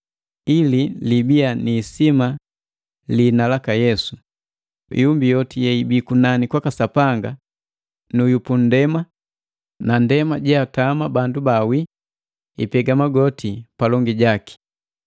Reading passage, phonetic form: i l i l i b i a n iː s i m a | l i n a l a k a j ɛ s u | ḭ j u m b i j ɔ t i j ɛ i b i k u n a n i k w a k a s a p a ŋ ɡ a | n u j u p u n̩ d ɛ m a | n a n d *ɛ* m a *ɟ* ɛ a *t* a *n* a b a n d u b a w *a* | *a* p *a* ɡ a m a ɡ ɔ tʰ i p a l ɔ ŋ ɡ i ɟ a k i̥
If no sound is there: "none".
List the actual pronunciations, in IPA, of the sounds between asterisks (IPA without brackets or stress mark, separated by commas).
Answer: ɛ, ɟ, t, m, i, i, ɛ